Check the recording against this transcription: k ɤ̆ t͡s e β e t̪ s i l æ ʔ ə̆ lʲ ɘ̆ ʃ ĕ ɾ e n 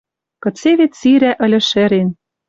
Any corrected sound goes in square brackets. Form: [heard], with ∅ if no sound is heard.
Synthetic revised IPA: k ɤ̆ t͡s e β e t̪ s i [ɾ] æ ʔ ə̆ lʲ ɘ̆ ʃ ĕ ɾ e n